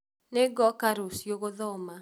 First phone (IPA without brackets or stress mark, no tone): n